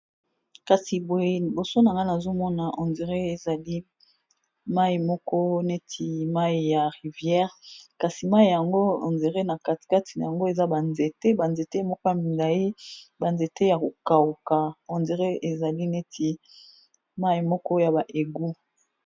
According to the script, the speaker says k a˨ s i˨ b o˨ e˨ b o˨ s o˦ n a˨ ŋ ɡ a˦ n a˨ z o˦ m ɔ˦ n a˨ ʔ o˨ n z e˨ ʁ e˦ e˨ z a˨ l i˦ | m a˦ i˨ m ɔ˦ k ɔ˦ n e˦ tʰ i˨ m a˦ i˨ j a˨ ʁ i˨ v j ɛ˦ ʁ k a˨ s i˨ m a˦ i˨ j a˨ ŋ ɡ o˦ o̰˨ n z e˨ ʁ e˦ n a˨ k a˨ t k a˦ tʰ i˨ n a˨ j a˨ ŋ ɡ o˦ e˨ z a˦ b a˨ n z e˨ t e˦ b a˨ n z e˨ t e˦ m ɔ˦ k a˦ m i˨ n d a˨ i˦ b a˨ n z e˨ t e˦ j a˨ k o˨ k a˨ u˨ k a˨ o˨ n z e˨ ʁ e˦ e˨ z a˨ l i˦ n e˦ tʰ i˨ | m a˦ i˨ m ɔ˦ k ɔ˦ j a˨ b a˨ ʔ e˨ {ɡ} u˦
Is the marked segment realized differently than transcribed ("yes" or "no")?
no